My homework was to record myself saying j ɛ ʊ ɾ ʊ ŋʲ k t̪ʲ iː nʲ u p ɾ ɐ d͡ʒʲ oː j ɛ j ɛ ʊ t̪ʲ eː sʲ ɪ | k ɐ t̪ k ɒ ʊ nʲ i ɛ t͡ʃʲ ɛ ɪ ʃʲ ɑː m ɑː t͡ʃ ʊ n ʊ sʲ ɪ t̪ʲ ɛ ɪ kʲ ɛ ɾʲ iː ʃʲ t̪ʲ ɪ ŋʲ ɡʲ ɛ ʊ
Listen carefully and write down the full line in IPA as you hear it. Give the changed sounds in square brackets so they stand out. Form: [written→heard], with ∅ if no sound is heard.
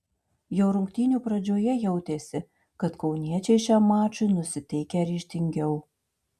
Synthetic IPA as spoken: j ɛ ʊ ɾ ʊ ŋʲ k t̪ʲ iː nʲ u p ɾ ɐ d͡ʒʲ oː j ɛ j ɛ ʊ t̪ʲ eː sʲ ɪ | k ɐ t̪ k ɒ ʊ nʲ i ɛ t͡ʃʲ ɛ ɪ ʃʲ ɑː m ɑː t͡ʃ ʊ n ʊ sʲ ɪ t̪ʲ ɛ ɪ kʲ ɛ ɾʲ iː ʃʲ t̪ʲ ɪ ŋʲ ɡʲ ɛ ʊ